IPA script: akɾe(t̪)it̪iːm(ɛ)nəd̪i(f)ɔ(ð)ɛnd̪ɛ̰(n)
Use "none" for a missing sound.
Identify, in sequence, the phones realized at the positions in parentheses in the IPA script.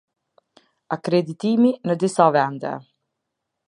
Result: d̪, i, s, v, none

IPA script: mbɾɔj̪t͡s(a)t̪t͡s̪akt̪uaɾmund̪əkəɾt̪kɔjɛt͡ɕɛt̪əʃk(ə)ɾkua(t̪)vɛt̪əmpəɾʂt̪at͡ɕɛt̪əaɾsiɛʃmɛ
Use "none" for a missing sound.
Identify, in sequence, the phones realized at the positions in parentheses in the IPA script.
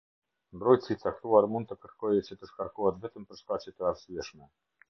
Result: i, a, t̪

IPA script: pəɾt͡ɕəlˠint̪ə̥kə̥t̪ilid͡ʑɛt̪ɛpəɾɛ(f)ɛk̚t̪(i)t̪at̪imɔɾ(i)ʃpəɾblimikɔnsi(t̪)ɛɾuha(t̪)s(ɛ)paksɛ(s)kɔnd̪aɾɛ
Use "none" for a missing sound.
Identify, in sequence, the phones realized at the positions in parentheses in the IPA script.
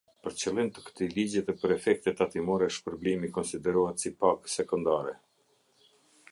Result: f, ɛ, ɛ, d̪, t̪, i, none

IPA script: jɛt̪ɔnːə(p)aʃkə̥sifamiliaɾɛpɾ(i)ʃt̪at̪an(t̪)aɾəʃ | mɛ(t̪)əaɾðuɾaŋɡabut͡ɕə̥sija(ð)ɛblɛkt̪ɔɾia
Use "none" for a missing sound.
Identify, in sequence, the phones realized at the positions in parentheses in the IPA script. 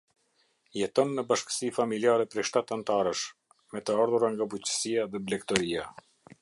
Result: b, ɛ, t̪, t̪, ð

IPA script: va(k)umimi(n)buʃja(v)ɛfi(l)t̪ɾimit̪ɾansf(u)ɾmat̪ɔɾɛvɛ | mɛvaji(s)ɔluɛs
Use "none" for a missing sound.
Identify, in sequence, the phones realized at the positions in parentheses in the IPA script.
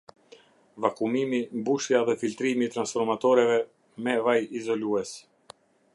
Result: k, m, ð, l, ɔ, z

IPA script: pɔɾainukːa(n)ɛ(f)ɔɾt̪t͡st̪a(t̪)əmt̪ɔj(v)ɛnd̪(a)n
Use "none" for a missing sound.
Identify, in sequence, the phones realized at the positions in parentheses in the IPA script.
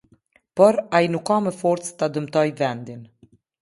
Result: m, f, d̪, v, i

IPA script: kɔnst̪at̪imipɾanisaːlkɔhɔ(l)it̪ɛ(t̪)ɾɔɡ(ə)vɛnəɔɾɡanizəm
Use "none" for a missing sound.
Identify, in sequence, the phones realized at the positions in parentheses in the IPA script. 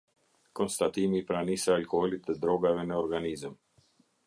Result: l, d̪, a

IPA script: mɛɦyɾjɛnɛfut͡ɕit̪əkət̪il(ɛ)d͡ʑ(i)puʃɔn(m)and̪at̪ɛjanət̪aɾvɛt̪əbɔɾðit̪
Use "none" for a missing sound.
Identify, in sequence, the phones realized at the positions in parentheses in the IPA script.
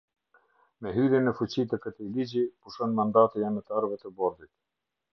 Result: i, i, m

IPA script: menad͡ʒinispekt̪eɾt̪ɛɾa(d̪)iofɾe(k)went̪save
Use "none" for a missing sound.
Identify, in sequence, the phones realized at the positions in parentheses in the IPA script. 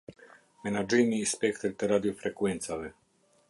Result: d̪, k

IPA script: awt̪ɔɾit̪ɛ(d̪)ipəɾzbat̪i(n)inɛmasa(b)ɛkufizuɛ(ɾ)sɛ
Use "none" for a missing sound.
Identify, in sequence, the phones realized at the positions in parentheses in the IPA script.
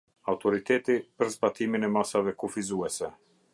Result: t̪, m, v, none

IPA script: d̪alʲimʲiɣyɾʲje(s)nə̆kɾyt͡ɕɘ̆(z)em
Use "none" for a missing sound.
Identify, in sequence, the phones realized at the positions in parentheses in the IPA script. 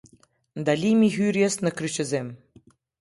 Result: s, z

